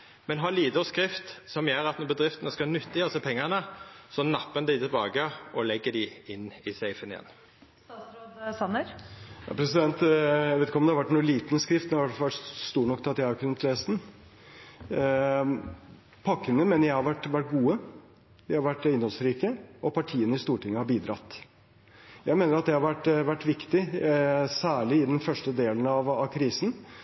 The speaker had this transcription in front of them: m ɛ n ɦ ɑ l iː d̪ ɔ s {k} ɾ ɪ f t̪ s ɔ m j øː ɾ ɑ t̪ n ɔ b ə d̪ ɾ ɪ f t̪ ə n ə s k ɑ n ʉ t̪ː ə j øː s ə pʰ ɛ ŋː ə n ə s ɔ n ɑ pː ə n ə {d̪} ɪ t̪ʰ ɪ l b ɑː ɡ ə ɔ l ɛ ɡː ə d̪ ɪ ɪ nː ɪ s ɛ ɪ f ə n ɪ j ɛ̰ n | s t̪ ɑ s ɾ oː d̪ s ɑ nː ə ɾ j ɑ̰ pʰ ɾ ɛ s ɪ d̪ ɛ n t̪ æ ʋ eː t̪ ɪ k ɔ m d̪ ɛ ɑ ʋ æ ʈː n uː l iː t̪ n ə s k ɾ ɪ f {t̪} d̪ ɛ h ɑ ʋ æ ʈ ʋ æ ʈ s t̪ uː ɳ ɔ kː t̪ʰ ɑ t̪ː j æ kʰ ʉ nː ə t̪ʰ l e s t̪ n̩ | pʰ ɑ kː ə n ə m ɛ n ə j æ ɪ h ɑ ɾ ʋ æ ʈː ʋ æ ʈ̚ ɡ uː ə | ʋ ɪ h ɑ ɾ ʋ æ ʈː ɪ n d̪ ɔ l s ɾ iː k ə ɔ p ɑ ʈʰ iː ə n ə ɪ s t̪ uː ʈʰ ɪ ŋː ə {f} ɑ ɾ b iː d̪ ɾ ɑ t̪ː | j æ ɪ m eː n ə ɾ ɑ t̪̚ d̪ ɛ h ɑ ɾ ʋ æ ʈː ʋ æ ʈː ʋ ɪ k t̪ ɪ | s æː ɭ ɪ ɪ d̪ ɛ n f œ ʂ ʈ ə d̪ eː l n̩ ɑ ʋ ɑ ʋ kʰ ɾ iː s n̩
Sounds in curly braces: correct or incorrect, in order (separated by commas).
correct, correct, correct, incorrect